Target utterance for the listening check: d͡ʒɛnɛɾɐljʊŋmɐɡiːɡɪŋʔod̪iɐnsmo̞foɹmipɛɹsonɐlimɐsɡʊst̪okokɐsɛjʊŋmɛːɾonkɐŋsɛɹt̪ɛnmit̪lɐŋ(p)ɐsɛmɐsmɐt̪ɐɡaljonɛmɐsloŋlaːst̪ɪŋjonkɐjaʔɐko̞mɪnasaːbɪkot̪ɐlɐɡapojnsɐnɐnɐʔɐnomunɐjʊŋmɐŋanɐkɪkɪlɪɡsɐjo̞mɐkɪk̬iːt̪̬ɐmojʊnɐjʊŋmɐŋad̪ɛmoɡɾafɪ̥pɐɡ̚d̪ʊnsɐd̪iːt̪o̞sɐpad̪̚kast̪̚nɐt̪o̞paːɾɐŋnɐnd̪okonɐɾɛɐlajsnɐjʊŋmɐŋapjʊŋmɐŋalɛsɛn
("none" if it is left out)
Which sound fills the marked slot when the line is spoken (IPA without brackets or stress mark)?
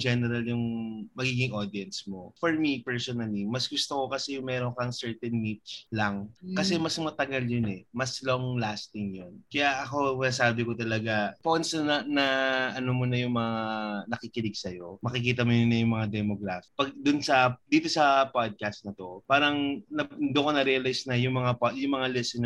k